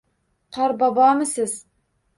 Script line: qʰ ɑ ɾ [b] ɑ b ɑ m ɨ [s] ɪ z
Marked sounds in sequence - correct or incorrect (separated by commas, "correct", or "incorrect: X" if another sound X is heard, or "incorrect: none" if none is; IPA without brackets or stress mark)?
correct, correct